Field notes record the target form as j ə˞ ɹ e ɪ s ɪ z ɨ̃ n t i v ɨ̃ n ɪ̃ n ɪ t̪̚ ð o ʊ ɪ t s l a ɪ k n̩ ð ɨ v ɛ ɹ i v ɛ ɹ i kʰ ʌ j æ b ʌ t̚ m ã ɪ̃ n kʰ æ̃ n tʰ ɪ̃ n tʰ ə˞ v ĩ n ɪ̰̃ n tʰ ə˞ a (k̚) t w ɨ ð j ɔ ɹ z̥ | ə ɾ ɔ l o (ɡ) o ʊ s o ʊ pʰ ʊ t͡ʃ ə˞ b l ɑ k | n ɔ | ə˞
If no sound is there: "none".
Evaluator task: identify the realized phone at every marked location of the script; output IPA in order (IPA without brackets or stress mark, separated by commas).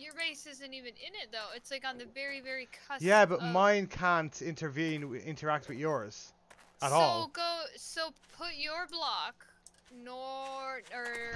k̚, ɡ